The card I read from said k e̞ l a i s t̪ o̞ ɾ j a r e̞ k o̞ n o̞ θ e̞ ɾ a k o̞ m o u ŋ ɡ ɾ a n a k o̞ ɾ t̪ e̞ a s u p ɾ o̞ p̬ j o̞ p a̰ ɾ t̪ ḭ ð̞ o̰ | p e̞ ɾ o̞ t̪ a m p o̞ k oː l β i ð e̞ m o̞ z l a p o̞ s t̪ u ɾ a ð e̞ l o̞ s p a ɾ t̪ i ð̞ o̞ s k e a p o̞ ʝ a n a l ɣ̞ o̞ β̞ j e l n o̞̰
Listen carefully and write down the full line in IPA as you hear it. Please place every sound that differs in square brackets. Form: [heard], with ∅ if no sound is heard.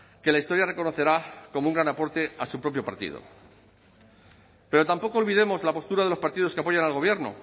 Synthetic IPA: k e̞ l a i s t̪ o̞ ɾ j a r e̞ k o̞ n o̞ θ e̞ ɾ a k o̞ m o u ŋ ɡ ɾ a n a [p] o̞ ɾ t̪ e̞ a s u p ɾ o̞ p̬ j o̞ p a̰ ɾ t̪ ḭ ð̞ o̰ | p e̞ ɾ o̞ t̪ a m p o̞ k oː l β i ð e̞ m o̞ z l a p o̞ s t̪ u ɾ a ð e̞ l o̞ s p a ɾ t̪ i ð̞ o̞ s k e a p o̞ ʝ a n a l ɣ̞ o̞ β̞ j e [ɾ] n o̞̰